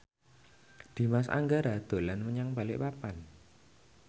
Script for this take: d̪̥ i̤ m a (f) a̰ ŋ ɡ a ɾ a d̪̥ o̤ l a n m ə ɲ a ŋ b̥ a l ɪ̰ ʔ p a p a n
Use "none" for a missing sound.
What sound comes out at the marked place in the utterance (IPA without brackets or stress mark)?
s